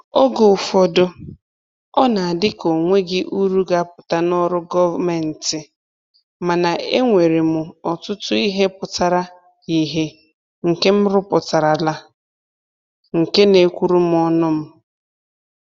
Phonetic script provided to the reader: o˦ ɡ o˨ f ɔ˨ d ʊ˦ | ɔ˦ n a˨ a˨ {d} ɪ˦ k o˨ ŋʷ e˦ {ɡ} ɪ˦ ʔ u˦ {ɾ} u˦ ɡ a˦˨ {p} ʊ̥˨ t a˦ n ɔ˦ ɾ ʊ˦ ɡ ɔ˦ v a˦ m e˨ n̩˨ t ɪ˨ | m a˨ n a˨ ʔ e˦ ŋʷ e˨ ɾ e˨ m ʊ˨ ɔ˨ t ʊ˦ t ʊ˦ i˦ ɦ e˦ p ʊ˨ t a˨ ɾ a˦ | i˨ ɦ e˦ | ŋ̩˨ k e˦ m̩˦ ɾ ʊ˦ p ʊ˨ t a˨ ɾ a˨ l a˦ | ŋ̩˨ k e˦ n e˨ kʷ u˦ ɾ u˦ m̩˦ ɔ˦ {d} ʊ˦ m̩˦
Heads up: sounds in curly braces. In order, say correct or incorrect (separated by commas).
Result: correct, correct, correct, correct, incorrect